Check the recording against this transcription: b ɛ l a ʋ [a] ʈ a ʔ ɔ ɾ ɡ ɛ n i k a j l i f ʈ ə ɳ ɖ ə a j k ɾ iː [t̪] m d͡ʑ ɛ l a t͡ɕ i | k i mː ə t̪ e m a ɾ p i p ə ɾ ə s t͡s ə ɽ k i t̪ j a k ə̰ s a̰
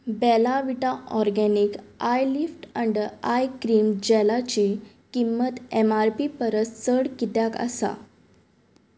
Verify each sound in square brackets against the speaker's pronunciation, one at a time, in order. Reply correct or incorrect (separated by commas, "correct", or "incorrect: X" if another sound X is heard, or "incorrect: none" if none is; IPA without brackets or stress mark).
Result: incorrect: i, incorrect: none